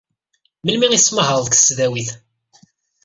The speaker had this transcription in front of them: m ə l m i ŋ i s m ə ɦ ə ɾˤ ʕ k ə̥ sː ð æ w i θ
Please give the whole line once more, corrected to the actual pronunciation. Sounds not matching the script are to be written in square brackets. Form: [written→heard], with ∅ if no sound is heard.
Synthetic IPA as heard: m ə l m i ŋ i s m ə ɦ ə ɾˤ [ʕ→ð] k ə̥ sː ð æ w i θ